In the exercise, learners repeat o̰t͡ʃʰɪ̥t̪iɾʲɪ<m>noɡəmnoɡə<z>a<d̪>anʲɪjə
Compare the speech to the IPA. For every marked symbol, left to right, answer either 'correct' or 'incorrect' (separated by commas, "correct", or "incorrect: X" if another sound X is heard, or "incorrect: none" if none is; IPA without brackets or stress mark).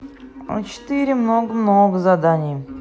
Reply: correct, correct, correct